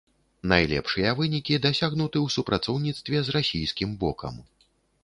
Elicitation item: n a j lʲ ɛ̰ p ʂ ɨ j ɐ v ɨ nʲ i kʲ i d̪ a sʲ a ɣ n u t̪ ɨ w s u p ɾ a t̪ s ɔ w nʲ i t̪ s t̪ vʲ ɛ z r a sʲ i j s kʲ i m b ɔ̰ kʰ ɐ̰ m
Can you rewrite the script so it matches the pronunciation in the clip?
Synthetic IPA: n a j lʲ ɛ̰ p ʂ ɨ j ɐ v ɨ nʲ i kʲ i d̪ a sʲ a ɣ n u t̪ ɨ w s u p ɾ a t̪ s ɔ w nʲ i t̪ s t̪ vʲ ɛ z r a sʲ i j s kʲ i m b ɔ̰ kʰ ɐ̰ m